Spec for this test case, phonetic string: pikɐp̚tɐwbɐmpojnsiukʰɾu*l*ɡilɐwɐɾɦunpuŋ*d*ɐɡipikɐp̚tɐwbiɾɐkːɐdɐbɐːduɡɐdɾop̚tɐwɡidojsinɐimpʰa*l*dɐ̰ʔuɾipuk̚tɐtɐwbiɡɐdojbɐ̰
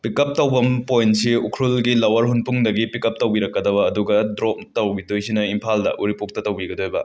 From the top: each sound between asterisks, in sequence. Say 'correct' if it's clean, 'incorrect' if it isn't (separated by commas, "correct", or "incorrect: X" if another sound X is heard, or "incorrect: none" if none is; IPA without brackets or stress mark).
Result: correct, correct, correct